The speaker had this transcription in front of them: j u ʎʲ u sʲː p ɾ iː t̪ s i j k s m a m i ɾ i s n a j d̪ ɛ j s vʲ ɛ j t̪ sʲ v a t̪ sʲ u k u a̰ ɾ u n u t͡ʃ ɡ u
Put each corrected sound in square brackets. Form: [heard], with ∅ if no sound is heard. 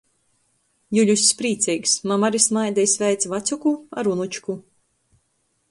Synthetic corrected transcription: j u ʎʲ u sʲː p ɾ iː t̪ s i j k s m a m [a] ɾ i s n a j d̪ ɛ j s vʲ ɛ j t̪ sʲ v a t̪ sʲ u k u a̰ ɾ u n u t͡ʃ [k] u